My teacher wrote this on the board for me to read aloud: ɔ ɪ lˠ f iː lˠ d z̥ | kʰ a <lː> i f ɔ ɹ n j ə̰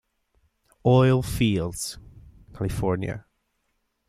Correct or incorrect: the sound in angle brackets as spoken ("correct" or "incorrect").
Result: incorrect